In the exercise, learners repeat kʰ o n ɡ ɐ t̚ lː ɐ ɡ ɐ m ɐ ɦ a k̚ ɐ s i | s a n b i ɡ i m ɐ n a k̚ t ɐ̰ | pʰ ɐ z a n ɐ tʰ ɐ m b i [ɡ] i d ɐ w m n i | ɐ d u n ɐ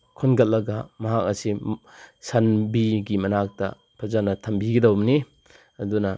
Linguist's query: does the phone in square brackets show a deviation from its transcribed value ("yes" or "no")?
no